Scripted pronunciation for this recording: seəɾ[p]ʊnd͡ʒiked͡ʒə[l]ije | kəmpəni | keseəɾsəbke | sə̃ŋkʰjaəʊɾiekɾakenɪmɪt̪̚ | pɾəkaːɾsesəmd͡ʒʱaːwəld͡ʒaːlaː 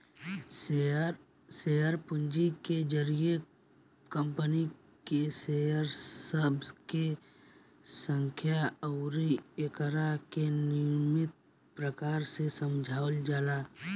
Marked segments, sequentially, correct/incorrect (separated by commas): correct, incorrect